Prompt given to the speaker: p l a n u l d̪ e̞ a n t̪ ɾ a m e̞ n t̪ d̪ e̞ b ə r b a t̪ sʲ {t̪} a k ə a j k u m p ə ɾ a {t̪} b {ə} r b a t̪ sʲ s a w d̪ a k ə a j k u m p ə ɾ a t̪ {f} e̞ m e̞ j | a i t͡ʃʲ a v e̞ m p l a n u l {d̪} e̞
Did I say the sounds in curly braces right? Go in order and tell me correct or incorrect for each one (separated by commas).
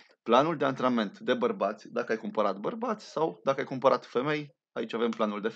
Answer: incorrect, correct, correct, correct, correct